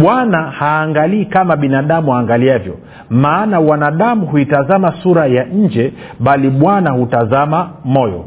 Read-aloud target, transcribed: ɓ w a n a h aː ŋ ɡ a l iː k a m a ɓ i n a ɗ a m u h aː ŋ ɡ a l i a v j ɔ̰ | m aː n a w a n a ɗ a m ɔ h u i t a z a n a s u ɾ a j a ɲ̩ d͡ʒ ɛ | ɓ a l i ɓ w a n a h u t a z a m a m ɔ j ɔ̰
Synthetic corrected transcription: ɓ w a n a h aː ŋ ɡ a l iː k a m a ɓ i n a ɗ a m u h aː ŋ ɡ a l i a v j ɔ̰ | m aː n a w a n a ɗ a m u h u i t a z a m a s u ɾ a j a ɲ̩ d͡ʒ ɛ | ɓ a l i ɓ w a n a h u t a z a m a m ɔ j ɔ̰